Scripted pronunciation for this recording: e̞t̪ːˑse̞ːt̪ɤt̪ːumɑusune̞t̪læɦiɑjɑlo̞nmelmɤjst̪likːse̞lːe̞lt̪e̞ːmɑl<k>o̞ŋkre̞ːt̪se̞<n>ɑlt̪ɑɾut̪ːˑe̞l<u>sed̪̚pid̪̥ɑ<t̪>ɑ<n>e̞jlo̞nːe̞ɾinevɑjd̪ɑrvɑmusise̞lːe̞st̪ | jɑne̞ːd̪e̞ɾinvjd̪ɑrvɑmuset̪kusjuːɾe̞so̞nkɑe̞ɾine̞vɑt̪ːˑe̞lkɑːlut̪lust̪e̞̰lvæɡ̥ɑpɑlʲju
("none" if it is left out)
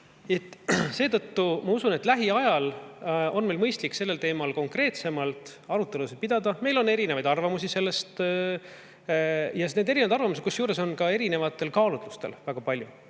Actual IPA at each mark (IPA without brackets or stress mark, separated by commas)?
k, m, u, d̪, m